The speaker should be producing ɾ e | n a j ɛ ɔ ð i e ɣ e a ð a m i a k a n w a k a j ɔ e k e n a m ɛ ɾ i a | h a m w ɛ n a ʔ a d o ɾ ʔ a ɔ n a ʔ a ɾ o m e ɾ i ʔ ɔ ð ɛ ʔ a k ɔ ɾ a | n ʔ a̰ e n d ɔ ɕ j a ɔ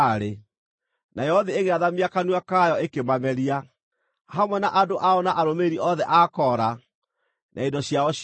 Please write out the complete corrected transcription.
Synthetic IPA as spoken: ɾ e | n a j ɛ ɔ ð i e ɣ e a ð a m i a k a n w a k a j ɔ e k e m a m ɛ ɾ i a | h a m w ɛ n a ʔ a d o ʔ a ɔ n a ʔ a ɾ o m e ɾ i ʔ ɔ ð ɛ ʔ a k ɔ ɾ a | n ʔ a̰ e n d ɔ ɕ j a ɔ